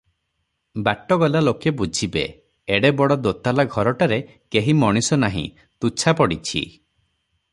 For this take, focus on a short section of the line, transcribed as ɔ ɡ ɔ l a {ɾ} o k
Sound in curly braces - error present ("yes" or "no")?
yes